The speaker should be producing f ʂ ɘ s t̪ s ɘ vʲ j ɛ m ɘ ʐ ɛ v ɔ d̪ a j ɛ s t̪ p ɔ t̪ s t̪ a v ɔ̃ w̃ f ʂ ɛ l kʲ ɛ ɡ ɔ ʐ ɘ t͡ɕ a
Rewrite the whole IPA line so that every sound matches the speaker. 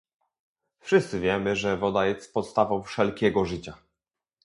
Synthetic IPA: f ʂ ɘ s t̪ s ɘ vʲ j ɛ m ɘ ʐ ɛ v ɔ d̪ a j ɛ s t̪ p ɔ t̪ s t̪ a v ɔ̃ w̃ f ʂ ɛ l kʲ ɛ ɡ ɔ ʐ ɘ t͡ɕ a

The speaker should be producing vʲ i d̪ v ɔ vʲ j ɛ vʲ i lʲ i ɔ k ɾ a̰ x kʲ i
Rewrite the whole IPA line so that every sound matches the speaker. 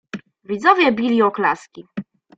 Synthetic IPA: vʲ i d̪ z ɔ vʲ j ɛ bʲ i lʲ i ɔ k l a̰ s kʲ i

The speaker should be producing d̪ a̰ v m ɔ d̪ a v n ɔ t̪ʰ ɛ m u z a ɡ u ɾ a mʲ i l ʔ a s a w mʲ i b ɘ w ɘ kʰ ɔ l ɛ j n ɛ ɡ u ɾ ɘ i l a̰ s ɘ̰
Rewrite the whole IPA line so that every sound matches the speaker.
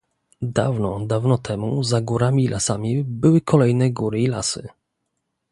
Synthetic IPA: d̪ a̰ v n ɔ d̪ a v n ɔ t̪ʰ ɛ m u z a ɡ u ɾ a mʲ i l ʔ a s a mʲ i b ɘ w ɘ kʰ ɔ l ɛ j n ɛ ɡ u ɾ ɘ i l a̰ s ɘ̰

